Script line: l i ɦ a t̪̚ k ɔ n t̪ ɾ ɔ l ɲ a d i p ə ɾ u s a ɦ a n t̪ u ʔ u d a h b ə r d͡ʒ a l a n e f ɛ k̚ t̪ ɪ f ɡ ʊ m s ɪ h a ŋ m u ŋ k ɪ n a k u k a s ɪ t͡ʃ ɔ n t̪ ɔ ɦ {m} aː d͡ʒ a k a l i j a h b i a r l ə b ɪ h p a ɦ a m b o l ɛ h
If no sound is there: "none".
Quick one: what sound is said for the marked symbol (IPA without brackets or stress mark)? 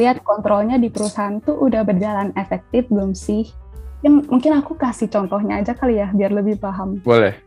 ɲ